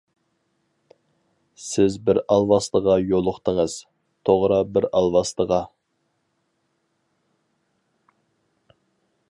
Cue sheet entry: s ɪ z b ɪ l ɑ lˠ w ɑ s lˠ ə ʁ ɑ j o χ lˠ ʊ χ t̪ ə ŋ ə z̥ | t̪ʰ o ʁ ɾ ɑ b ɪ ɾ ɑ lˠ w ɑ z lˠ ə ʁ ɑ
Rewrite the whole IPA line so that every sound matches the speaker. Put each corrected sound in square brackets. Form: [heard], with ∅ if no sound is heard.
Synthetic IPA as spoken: s ɪ z b ɪ [ɾ] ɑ lˠ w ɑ s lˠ ə ʁ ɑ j o [∅] lˠ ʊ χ t̪ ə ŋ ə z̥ | t̪ʰ o ʁ ɾ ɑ b ɪ ɾ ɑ lˠ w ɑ [s] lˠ ə ʁ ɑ